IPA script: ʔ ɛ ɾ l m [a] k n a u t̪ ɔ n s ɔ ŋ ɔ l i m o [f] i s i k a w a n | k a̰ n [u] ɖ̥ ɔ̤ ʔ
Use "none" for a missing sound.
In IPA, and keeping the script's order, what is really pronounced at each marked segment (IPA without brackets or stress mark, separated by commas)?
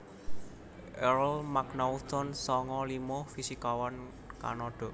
a, f, ɔ